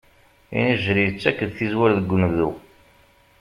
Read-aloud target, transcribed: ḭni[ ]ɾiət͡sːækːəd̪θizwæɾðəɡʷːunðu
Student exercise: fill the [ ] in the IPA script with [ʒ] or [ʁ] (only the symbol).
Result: ʒ